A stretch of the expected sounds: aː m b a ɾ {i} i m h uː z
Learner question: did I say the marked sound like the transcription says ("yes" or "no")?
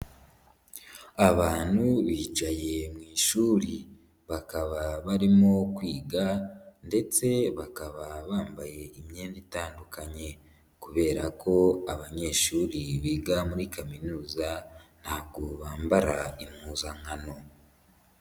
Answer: no